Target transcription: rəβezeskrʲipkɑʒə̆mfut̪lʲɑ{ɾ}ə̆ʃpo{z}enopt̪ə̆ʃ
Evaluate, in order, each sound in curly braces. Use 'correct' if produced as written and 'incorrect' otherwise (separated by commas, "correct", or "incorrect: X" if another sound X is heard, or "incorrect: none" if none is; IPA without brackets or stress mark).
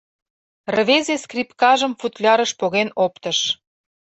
correct, incorrect: ɣ